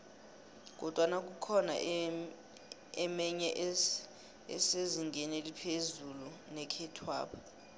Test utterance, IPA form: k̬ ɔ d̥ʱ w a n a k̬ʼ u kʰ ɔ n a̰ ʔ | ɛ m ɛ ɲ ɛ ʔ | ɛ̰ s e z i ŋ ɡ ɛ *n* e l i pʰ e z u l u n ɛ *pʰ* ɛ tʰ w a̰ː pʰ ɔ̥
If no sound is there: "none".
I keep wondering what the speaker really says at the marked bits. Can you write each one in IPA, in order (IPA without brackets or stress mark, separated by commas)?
n, kʰ